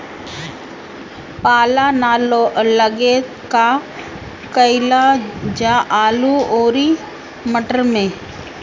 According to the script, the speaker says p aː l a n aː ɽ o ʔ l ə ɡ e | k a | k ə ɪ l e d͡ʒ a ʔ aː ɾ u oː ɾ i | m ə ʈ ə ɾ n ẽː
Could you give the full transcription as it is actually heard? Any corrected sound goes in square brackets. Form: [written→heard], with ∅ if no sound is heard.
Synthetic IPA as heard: p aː l a n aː [ɽ→l] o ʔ l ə ɡ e | k a | k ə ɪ l [e→a] d͡ʒ a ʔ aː [ɾ→l] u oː ɾ i | m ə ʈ ə ɾ [n→m] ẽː